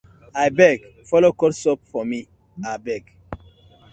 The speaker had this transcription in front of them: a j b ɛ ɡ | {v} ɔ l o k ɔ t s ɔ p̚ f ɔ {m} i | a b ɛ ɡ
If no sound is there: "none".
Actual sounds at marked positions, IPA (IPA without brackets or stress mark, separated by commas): f, m